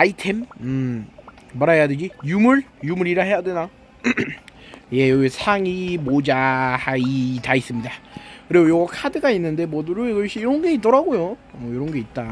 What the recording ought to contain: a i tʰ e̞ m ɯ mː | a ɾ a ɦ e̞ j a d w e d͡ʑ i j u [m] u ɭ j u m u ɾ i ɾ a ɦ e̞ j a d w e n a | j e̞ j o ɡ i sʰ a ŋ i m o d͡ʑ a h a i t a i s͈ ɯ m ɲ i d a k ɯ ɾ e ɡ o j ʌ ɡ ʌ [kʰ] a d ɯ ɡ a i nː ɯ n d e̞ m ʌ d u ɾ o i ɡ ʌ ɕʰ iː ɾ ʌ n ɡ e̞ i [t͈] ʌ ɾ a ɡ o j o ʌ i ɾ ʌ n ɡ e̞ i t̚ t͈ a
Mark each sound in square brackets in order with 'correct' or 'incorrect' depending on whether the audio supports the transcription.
correct, correct, correct

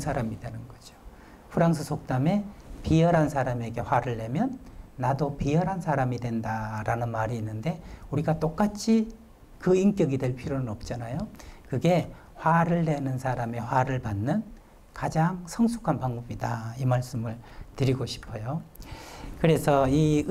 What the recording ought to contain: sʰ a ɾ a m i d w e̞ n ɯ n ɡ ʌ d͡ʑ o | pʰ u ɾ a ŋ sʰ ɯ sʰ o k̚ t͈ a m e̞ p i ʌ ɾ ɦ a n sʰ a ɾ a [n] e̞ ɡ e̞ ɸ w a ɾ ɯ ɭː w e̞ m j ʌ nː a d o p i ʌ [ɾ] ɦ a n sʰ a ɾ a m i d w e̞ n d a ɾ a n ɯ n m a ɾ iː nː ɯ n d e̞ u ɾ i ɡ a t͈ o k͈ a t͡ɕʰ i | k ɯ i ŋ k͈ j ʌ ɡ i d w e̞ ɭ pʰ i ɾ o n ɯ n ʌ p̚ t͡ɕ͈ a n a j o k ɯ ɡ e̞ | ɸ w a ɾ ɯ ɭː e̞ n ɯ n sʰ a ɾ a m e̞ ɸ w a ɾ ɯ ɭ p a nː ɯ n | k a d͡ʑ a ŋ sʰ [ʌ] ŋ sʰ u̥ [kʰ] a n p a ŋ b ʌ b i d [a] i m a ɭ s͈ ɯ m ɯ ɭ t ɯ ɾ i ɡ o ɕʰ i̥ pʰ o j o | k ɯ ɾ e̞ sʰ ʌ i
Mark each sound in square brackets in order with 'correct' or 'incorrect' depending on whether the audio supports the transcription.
incorrect, correct, correct, correct, correct

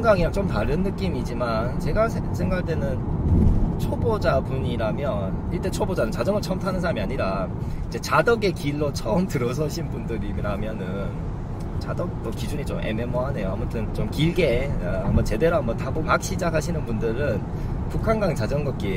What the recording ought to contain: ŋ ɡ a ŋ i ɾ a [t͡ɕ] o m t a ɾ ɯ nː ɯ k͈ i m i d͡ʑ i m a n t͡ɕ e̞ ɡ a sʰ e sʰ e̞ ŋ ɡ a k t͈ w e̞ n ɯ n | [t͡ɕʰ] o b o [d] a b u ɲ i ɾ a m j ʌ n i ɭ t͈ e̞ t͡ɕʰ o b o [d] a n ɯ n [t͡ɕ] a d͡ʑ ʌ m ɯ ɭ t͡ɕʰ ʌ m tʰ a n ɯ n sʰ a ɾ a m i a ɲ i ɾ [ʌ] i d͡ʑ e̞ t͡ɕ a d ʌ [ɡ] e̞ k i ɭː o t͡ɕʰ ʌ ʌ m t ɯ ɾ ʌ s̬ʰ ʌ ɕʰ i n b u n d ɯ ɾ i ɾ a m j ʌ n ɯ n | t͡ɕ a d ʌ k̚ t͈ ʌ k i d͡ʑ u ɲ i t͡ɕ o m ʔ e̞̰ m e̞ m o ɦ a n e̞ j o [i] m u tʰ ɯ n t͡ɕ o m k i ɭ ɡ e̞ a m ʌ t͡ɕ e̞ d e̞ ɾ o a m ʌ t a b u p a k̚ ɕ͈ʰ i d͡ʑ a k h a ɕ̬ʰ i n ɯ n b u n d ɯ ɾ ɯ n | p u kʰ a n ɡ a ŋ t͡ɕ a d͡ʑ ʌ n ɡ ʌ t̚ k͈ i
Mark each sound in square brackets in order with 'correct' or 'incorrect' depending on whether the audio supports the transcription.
correct, correct, incorrect, incorrect, correct, incorrect, correct, incorrect

